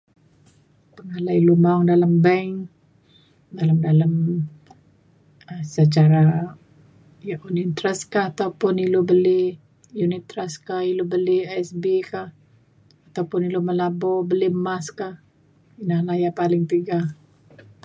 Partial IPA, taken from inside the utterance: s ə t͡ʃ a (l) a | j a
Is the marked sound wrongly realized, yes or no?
yes